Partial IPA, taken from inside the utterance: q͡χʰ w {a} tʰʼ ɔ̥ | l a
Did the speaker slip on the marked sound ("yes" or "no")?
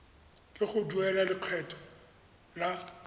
yes